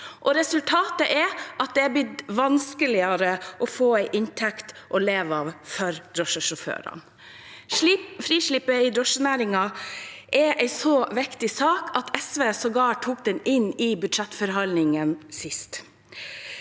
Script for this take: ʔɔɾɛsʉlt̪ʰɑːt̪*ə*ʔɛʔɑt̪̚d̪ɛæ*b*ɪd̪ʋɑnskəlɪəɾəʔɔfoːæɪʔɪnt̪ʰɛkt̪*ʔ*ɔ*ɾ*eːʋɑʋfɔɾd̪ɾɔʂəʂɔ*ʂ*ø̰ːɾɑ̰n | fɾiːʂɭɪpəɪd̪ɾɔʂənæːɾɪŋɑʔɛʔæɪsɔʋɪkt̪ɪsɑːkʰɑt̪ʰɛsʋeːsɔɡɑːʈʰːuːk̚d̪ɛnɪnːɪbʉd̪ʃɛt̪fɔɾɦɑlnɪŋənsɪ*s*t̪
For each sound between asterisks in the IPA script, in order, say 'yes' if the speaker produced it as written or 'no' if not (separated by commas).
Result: yes, yes, yes, no, no, yes